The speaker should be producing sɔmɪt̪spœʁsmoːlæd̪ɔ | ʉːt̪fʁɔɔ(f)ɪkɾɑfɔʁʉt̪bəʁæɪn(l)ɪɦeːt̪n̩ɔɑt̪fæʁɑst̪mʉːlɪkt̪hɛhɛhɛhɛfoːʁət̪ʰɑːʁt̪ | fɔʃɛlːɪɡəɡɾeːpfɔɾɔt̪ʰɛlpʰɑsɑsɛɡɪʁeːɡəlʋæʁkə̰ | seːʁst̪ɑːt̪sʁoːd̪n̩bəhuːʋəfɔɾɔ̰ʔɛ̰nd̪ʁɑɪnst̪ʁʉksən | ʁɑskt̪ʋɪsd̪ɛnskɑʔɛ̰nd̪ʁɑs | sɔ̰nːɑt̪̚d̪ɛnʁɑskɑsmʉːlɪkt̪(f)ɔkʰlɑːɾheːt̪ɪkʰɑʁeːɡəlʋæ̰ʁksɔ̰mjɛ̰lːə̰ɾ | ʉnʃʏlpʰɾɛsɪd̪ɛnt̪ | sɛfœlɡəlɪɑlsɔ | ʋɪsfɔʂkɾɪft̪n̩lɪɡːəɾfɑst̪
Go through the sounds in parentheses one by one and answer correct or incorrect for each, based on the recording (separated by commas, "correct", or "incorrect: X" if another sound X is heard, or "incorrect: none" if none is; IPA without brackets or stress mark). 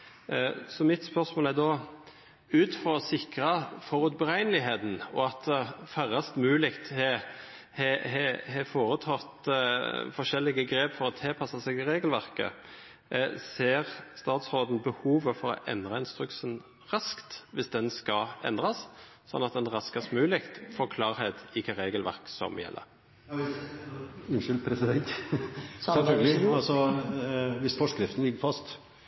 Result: incorrect: s, correct, correct